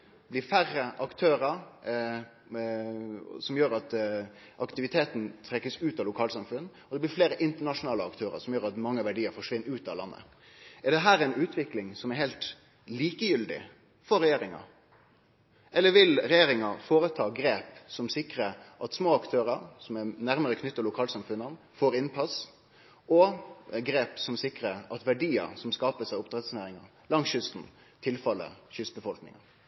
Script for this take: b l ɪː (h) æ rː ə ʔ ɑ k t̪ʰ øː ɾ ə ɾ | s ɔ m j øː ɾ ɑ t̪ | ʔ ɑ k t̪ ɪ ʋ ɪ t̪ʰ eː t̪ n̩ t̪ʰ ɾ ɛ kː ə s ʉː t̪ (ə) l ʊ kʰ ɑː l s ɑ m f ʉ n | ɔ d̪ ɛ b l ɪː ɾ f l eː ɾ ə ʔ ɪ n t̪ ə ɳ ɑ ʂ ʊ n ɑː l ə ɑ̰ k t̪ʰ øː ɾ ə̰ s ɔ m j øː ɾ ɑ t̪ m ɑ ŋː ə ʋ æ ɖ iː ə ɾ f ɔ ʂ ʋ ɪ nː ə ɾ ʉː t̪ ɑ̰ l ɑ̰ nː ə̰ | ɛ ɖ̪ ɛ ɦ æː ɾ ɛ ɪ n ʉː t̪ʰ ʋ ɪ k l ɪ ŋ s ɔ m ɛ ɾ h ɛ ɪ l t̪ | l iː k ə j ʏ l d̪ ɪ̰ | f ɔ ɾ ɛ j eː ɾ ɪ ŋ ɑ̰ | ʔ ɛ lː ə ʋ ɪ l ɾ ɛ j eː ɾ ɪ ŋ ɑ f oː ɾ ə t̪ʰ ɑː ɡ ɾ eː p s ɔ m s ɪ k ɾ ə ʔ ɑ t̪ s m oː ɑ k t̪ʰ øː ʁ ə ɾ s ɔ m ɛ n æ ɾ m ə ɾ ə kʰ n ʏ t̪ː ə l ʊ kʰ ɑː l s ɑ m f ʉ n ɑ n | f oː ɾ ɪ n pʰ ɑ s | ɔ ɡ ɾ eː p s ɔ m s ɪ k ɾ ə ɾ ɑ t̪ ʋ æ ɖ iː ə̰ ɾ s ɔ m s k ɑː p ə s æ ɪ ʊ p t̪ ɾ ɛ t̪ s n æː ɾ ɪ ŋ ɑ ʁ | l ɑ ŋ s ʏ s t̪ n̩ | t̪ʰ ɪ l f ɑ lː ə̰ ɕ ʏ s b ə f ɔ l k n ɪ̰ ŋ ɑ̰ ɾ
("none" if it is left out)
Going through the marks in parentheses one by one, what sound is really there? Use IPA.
f, ɑ

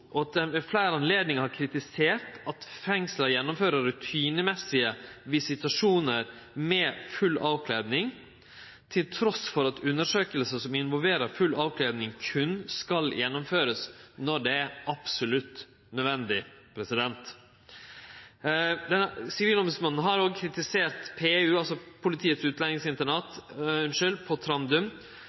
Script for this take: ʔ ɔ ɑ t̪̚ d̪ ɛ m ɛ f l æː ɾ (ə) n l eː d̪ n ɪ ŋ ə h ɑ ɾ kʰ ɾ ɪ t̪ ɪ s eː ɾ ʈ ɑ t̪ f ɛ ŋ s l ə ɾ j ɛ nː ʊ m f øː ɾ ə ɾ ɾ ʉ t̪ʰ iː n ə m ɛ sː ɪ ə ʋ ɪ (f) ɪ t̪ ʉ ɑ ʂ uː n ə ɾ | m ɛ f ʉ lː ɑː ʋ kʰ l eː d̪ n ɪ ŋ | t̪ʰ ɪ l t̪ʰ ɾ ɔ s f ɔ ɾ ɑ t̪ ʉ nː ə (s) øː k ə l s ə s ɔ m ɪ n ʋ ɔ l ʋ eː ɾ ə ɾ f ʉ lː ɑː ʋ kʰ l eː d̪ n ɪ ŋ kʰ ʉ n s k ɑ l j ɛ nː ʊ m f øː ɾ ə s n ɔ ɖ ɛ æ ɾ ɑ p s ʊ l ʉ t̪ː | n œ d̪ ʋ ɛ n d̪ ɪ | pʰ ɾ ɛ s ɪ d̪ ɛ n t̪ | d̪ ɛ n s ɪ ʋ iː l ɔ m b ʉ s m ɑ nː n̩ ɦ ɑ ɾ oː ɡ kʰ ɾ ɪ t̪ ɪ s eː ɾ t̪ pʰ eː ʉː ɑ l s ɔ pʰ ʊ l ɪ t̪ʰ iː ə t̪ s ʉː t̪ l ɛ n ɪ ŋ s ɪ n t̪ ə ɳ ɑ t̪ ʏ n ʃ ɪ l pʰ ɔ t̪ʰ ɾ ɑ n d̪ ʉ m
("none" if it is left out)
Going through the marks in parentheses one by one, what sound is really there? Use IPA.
ɑ, s, ʂ

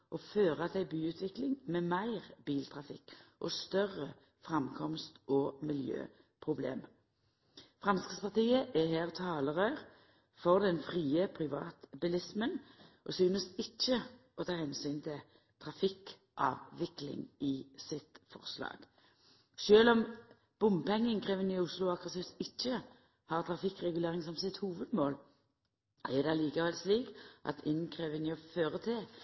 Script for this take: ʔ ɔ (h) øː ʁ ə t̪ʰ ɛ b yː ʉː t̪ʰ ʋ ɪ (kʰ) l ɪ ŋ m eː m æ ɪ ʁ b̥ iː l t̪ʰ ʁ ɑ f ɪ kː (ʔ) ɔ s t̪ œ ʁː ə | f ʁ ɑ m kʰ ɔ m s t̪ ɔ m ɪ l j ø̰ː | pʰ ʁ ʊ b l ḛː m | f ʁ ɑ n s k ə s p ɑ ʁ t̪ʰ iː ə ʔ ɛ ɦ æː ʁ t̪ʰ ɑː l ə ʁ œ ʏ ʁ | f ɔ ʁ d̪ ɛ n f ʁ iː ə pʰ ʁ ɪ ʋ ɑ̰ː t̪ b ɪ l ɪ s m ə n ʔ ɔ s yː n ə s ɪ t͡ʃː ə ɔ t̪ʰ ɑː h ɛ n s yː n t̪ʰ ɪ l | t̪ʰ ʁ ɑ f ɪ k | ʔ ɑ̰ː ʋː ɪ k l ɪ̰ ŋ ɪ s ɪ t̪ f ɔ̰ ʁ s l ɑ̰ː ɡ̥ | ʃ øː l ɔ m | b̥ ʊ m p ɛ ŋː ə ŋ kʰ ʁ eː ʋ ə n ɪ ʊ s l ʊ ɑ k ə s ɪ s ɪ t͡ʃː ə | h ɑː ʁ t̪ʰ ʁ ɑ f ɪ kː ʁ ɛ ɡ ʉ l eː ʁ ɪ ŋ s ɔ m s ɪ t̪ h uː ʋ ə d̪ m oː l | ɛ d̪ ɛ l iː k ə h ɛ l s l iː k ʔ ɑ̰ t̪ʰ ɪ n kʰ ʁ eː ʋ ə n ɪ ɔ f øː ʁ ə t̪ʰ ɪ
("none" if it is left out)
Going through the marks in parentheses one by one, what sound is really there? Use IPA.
f, k, ʔ

